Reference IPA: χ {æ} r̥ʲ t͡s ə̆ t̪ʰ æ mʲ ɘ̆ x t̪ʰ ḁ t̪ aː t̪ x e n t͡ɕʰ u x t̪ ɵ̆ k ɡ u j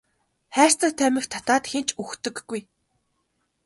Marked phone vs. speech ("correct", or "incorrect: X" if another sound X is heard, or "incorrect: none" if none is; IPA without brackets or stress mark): incorrect: æː